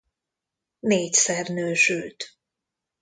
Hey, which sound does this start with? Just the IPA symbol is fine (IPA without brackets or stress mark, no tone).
n